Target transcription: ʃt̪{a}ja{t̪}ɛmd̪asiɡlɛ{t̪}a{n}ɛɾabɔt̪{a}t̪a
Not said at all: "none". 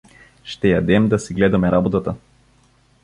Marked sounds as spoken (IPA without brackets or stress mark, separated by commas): ɛ, d̪, d̪, m, a